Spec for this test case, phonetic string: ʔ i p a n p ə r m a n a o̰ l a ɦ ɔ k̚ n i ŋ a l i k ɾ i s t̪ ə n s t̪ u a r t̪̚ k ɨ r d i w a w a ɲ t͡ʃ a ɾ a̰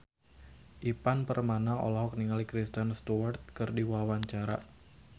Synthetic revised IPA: ʔ i p a n p ə r m a n a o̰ l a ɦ ɔ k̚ n i ŋ a l i k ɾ i s t̪ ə n s t̪ u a r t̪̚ k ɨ r d i w a w a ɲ t͡ʃ a ɾ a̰